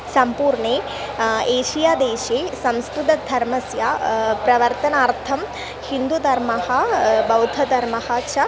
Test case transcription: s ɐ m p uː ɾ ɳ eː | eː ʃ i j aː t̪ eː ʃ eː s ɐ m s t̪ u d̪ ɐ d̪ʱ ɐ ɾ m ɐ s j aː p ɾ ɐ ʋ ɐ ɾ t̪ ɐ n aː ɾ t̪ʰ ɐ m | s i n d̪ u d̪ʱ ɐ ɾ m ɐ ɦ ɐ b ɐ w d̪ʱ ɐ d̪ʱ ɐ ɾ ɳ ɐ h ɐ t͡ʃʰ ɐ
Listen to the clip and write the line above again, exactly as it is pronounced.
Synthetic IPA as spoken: s ɐ m p uː ɾ ɳ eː | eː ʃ i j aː d̪ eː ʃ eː s ɐ m s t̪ u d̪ ɐ d̪ʱ ɐ ɾ m ɐ s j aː p ɾ ɐ ʋ ɐ ɾ t̪ ɐ n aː ɾ t̪ʰ ɐ m | h i n d̪ u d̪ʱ ɐ ɾ m ɐ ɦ ɐ b ɐ w d̪ʱ ɐ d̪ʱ ɐ ɾ m ɐ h ɐ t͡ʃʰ ɐ